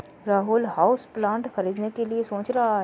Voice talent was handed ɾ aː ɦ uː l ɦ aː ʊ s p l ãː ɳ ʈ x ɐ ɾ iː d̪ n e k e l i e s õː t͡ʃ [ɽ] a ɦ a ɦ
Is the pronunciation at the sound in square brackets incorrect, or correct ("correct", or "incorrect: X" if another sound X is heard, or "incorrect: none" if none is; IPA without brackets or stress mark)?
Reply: incorrect: ɾ